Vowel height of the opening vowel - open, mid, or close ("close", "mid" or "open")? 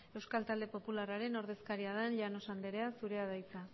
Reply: mid